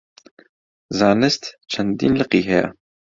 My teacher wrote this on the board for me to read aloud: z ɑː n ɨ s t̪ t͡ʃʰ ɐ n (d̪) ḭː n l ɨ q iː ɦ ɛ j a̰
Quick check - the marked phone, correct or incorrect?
correct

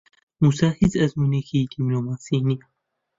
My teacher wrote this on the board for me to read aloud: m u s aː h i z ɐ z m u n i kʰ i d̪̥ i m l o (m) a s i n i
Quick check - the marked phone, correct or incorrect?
correct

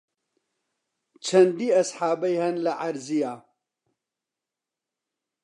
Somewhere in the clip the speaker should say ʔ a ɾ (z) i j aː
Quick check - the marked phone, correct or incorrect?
correct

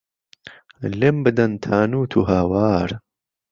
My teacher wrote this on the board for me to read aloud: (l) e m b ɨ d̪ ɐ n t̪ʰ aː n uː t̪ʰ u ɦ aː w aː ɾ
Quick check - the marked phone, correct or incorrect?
correct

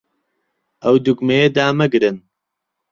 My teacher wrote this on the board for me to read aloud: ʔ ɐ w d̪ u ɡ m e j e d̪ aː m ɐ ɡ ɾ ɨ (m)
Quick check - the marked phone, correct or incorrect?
incorrect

